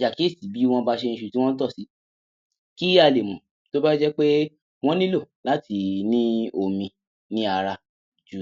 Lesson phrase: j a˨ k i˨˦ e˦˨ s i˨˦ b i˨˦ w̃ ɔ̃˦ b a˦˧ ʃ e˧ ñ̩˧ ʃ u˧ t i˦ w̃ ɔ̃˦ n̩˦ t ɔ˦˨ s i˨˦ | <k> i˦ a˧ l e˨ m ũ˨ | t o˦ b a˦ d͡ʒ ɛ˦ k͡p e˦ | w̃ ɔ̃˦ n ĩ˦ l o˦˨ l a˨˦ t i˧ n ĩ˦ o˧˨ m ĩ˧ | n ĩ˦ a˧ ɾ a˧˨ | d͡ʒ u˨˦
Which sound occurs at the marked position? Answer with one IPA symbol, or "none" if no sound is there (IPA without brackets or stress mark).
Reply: k